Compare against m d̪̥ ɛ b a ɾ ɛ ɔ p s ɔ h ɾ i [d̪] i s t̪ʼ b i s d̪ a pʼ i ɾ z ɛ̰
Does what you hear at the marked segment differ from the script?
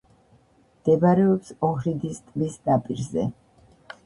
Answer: no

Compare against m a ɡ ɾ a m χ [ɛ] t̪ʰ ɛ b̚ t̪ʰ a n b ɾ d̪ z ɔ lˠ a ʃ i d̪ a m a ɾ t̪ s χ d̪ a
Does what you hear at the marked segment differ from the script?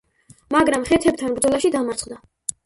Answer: no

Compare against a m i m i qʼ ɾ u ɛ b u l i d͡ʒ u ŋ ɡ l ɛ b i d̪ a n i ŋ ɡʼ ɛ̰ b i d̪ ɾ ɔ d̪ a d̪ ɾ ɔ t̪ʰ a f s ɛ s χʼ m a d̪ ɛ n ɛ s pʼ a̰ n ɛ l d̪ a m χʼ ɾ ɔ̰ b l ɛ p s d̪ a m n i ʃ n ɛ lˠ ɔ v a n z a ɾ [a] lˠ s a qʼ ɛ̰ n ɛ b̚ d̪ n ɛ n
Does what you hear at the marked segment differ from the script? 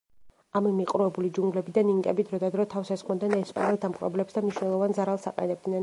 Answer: no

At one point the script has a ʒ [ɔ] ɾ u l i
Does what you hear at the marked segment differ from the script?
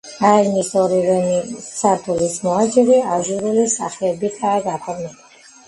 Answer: yes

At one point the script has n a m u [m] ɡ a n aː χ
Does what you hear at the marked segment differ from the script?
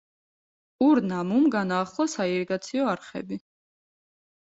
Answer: no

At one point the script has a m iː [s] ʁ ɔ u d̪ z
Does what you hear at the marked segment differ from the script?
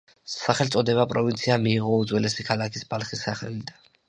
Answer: yes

